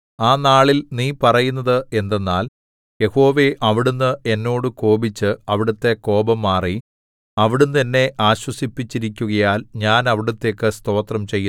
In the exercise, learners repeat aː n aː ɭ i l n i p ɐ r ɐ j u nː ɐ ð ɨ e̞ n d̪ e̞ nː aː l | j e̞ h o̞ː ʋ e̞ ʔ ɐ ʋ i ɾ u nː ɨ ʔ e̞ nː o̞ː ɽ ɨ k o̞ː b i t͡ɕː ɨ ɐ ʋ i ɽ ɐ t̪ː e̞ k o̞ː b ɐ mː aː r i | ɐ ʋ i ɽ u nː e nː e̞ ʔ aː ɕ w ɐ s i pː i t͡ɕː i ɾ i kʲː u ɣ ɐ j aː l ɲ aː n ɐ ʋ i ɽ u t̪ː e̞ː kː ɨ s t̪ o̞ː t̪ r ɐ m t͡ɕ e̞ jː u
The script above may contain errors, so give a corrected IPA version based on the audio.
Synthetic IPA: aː n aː ɭ i l n iː p ɐ r ɐ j u nː ɐ ð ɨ e̞ n d̪ e̞ nː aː l | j e̞ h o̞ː ʋ e̞ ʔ ɐ ʋ i ɽ u nː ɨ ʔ e̞ nː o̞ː ɽ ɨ k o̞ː b i t͡ɕː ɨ ɐ ʋ i ɽ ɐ t̪ː e̞ k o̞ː b ɐ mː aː r i | ɐ ʋ i ɽ u nː e nː e̞ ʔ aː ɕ w ɐ s i pː i t͡ɕː i ɾ i kʲː u ɣ ɐ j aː l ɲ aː n ɐ ʋ i ɽ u t̪ː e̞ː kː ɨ s t̪ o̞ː t̪ r ɐ m t͡ɕ e̞ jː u

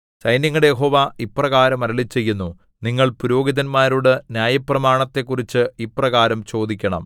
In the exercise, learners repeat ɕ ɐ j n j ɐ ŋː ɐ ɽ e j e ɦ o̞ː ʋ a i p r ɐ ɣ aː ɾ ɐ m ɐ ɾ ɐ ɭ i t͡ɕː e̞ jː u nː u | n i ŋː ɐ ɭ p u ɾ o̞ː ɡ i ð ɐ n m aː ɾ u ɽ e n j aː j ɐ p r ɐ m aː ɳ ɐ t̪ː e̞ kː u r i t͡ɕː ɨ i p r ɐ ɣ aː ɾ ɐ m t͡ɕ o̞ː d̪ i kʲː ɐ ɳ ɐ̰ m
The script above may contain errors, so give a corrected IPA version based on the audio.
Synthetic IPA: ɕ ɐ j n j ɐ ŋː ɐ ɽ e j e ɦ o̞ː ʋ a i p r ɐ ɣ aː ɾ ɐ m ɐ ɾ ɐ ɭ i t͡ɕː e̞ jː u nː u | n i ŋː ɐ ɭ p u ɾ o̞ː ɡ i ð ɐ n m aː ɾ u ɽ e n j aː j ɐ p r ɐ m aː ɳ ɐ t̪ː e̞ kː u r i t͡ɕː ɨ i p r ɐ ɣ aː ɾ ɐ m t͡ɕ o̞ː d̪ i kʲː ɐ ɳ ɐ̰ m

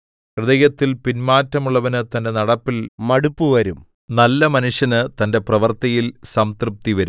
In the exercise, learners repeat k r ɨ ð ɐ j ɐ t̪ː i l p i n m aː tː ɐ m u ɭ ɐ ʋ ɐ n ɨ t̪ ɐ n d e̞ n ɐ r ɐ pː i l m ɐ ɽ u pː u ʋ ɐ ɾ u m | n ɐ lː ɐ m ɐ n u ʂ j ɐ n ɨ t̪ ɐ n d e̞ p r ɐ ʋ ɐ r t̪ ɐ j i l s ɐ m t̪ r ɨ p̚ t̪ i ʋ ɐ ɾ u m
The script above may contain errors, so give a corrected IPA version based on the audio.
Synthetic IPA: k r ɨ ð ɐ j ɐ t̪ː i l p i n m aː tː ɐ m u ɭː ɐ ʋ ɐ n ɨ t̪ ɐ n d e̞ n ɐ ɽ ɐ pː i l m ɐ ɽ u pː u ʋ ɐ ɾ u m | n ɐ lː ɐ m ɐ n u ʂ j ɐ n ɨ t̪ ɐ n d e̞ p r ɐ ʋ ɐ r t̪ ɐ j i l s ɐ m t̪ r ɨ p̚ t̪ i ʋ ɐ ɾ u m

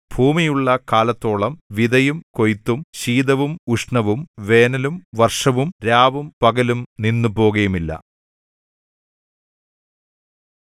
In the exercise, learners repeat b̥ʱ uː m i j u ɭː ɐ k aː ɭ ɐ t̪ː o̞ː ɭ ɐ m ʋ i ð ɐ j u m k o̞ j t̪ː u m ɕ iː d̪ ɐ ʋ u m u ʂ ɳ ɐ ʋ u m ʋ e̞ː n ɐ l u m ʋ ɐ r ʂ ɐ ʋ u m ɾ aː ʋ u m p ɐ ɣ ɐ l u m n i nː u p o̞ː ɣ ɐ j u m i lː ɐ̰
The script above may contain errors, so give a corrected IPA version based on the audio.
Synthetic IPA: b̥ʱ uː m i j u ɭː ɐ k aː l ɐ t̪ː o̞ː ɭ ɐ m ʋ i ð ɐ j u m k o̞ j t̪ː u m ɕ iː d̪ ɐ ʋ u m u ʂ ɳ ɐ ʋ u m ʋ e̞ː n ɐ l u m ʋ ɐ r ʂ ɐ ʋ u m ɾ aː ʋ u m p ɐ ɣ ɐ l u m n i nː u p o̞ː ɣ ɐ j u m i lː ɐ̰

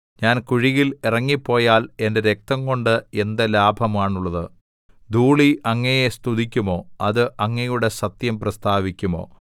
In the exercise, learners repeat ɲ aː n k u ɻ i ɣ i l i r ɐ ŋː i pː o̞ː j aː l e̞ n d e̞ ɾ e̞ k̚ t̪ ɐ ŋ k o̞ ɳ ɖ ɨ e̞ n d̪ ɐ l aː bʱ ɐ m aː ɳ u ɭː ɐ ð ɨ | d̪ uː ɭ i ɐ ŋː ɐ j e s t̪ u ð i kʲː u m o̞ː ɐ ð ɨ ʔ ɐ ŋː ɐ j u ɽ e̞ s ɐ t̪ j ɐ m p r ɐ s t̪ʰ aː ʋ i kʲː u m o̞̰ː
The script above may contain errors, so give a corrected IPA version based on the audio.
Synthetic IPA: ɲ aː n k u ɻ i ɣ i l i r ɐ ŋː i pː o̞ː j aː l e̞ n d e̞ ɾ e̞ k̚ t̪ ɐ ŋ k o̞ ɳ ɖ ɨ e̞ n d̪ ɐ l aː bʱ ɐ m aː ɳ u ɭː ɐ ð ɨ | d̪ uː ɭ i ɐ ŋː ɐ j e s t̪ u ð i kʲː u m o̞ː ɐ ð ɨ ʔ ɐ ŋː ɐ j u ɽ e̞ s ɐ t̪ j ɐ m p r ɐ s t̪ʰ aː ʋ i kʲː u m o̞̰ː

